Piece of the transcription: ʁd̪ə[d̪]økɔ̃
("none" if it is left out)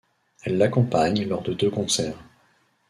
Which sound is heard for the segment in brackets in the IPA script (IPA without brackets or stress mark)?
d̪